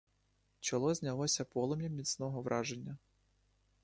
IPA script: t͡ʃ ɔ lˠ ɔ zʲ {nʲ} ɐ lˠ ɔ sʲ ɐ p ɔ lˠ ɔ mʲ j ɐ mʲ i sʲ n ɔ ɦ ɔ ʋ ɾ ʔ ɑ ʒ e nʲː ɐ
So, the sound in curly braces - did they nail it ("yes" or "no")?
yes